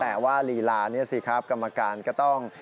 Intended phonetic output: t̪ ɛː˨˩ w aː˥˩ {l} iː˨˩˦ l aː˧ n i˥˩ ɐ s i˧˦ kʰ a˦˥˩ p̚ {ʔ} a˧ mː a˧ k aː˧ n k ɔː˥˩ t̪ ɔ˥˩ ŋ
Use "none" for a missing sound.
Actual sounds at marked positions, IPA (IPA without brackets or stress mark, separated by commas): l, k